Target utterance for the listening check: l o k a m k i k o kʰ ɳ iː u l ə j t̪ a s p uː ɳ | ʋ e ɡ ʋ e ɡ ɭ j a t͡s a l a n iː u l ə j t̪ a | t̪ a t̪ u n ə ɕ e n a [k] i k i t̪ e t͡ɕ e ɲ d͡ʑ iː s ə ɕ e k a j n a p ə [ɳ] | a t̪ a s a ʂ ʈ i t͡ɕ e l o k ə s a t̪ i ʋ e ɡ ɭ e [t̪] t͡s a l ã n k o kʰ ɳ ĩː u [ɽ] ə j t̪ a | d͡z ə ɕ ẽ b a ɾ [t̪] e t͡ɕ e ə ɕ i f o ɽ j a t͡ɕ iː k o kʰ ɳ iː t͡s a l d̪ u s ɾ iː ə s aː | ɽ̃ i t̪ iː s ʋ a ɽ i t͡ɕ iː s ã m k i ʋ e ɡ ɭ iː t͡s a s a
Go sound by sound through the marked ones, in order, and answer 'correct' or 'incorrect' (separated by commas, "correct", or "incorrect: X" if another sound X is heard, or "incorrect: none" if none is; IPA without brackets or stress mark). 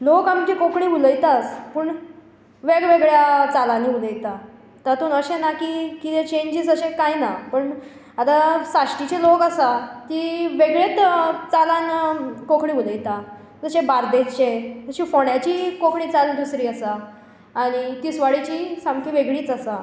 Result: correct, correct, correct, incorrect: l, incorrect: d̪